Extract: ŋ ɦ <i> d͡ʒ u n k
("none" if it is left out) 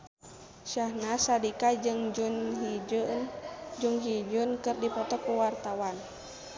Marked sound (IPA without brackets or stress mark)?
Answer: i